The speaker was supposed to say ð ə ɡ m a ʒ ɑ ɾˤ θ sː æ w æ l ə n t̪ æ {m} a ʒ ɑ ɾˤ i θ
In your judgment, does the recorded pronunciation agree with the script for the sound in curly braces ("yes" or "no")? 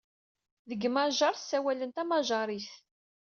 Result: yes